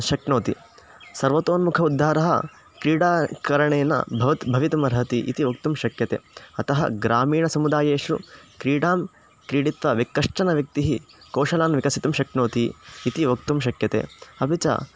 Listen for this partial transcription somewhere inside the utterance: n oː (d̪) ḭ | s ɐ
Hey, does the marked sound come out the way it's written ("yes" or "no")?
no